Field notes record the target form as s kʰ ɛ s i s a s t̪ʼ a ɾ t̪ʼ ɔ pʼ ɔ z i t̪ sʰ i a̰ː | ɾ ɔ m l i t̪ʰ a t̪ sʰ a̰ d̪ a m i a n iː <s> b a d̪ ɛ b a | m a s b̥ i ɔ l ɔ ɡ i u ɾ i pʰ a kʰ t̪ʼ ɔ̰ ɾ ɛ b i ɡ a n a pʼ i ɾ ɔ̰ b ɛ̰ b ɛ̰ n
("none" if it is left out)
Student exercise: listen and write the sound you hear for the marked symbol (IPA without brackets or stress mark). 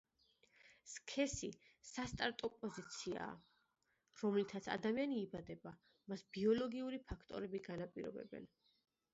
none